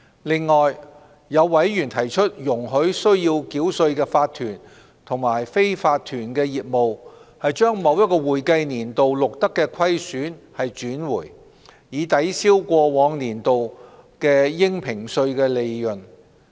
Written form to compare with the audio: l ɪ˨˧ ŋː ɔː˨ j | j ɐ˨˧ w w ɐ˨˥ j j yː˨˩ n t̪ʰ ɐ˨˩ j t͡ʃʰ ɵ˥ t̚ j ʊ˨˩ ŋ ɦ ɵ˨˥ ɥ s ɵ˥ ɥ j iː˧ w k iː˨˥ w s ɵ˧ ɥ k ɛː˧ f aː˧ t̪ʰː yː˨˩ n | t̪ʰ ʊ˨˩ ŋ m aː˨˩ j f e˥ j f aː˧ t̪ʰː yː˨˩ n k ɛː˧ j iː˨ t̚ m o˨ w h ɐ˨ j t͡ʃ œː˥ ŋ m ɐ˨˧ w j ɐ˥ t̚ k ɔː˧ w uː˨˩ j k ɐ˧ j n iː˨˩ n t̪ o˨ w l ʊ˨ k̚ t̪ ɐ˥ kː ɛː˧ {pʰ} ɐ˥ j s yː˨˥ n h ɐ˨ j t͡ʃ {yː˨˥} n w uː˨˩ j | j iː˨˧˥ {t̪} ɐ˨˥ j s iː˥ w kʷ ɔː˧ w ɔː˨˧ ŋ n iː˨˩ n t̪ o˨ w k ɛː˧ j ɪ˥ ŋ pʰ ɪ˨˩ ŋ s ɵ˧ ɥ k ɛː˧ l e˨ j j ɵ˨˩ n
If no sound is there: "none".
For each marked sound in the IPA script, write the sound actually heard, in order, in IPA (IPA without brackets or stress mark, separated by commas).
kʰ, yː˨˥, t̪